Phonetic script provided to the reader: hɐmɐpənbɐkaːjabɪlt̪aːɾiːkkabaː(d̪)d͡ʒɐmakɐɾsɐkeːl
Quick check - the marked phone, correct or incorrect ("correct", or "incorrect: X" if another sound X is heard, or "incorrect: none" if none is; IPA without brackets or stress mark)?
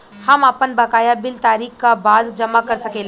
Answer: correct